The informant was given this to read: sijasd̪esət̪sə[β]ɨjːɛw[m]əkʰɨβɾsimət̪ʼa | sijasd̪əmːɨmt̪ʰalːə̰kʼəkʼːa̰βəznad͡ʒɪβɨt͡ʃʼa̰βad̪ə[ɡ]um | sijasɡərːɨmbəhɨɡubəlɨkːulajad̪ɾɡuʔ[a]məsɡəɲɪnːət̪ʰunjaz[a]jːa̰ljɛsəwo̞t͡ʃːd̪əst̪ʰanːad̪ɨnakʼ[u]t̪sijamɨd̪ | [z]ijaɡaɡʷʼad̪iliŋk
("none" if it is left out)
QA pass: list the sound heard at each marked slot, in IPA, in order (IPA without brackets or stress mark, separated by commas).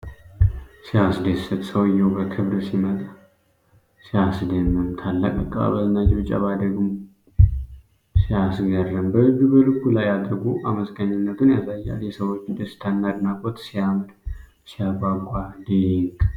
w, b, ɡ, a, a, o, s